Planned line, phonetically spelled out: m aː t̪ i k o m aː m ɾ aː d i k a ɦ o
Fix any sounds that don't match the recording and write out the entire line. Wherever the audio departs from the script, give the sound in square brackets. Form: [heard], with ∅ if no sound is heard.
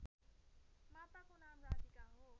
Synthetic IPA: m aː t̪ [a] k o [n] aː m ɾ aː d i k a ɦ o